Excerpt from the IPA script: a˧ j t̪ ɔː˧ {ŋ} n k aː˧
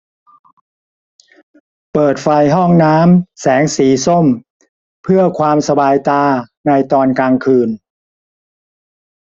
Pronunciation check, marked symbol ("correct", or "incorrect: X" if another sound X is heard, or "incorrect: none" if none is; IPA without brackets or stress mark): incorrect: none